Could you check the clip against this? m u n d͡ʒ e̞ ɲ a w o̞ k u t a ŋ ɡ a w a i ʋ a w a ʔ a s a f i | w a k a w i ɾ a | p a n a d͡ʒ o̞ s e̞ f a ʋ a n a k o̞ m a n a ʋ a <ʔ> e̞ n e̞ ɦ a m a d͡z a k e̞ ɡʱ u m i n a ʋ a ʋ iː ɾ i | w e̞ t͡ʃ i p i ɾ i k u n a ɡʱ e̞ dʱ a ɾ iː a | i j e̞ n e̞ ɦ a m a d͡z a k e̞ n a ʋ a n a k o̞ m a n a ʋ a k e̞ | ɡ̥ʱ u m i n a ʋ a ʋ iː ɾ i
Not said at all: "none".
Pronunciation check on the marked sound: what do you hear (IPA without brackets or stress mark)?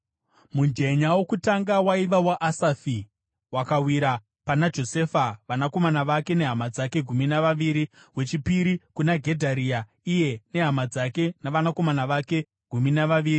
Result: k